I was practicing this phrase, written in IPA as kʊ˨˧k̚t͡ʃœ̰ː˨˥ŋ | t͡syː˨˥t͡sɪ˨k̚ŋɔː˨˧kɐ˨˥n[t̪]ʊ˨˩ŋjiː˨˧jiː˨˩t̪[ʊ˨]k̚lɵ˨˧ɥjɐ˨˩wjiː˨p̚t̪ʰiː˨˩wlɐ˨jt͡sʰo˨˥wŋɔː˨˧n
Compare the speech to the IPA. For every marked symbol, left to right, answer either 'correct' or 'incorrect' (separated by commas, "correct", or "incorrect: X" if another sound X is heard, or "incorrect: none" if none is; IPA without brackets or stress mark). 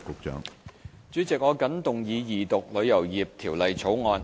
correct, correct